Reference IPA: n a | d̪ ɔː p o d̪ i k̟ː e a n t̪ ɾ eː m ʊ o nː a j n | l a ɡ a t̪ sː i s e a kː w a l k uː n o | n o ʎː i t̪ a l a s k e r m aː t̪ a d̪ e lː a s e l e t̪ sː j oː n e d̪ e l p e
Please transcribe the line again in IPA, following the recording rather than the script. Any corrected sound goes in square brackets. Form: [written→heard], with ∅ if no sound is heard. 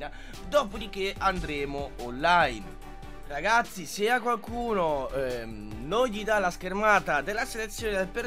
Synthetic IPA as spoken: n a | d̪ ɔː p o d̪ i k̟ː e a n [t̪→d̪] ɾ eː m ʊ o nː a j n | [l→r] a ɡ a t̪ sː i s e a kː w a l k uː n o | n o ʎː i [t̪→d̪] a l a s k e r m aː t̪ a d̪ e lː a s e l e t̪ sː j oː n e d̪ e l p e